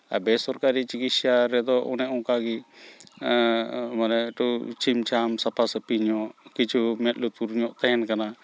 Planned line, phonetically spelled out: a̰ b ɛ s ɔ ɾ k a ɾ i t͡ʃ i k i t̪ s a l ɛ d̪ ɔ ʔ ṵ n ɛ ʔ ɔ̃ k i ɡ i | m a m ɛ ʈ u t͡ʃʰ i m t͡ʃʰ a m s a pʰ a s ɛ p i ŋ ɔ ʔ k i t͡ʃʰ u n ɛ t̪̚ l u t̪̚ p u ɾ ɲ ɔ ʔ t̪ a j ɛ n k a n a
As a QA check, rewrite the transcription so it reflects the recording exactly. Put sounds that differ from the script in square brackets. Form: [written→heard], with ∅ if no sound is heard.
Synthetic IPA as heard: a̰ b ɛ s ɔ ɾ k a ɾ i t͡ʃ i k i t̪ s a [l→ɾ] ɛ d̪ ɔ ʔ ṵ n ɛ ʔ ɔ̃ k [i→a] ɡ i | m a [m→n] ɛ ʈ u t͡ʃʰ i m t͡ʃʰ a m s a pʰ a s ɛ p i [ŋ→ɲ] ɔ ʔ k i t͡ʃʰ u [n→m] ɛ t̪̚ l u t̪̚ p u ɾ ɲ ɔ ʔ t̪ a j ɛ n k a n a